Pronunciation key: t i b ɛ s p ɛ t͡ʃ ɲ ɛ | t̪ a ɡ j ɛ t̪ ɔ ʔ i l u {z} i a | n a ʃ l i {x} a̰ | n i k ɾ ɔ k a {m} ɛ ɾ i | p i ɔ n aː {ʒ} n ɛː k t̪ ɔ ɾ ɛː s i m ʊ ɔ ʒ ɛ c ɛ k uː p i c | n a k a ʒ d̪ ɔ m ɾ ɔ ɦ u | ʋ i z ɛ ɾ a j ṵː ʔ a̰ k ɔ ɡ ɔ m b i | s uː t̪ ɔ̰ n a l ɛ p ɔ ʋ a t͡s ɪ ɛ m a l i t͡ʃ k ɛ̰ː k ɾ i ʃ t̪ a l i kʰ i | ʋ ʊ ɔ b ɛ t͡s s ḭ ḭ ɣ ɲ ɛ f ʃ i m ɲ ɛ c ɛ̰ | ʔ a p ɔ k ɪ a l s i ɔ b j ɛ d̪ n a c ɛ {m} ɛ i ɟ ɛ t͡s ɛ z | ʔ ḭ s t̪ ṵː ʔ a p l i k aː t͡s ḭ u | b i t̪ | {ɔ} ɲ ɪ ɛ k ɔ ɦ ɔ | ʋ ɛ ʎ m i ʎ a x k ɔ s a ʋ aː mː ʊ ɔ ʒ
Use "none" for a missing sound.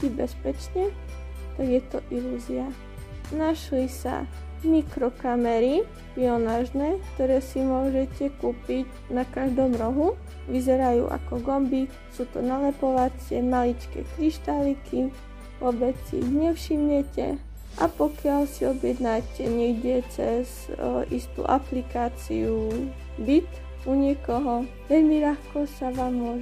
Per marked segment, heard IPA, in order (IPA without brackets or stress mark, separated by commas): z, s, m, ʒ, ɲ, u